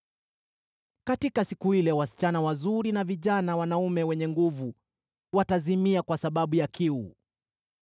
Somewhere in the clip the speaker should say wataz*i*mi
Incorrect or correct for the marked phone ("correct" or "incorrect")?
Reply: correct